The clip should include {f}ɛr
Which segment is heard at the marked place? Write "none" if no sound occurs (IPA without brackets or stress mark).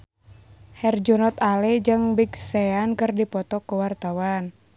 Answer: h